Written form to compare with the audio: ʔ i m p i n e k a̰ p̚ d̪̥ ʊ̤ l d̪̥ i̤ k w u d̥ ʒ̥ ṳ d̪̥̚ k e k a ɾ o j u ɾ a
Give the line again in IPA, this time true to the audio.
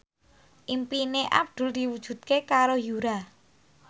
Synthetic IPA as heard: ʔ i m p i n e ʔ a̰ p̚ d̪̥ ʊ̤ l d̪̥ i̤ w u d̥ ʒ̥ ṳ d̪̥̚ k e k a ɾ o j u ɾ a

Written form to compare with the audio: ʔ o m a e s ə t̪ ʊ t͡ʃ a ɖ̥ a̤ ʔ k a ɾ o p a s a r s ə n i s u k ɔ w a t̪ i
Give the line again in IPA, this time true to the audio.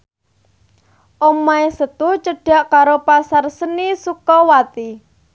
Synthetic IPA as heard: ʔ o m a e s ə t̪ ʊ t͡ʃ ə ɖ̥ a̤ ʔ k a ɾ o p a s a r s ə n i s u k ɔ w a t̪ i

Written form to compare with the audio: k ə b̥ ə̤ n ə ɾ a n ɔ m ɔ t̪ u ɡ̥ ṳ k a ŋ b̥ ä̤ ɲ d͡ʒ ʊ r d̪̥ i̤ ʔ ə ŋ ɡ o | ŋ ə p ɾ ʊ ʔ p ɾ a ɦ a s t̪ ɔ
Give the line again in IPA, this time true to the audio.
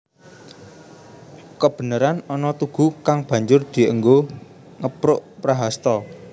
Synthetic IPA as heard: k ə b̥ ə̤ n ə ɾ a n ɔ n ɔ t̪ u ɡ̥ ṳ k a ŋ b̥ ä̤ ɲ d͡ʒ ʊ r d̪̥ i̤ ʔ ə ŋ ɡ o | ŋ ə p ɾ ʊ ʔ p ɾ a ɦ a s t̪ ɔ

